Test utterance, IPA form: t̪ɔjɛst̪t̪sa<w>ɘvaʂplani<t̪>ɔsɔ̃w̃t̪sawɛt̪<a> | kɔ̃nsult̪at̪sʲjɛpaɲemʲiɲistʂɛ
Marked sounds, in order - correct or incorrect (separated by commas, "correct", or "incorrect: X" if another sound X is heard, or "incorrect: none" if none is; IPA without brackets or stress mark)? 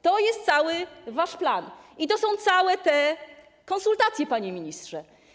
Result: correct, correct, incorrect: ɛ